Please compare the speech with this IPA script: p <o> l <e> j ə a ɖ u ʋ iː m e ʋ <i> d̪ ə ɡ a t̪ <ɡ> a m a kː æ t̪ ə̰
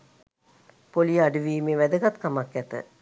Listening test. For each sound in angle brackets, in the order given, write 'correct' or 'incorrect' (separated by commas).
correct, incorrect, incorrect, incorrect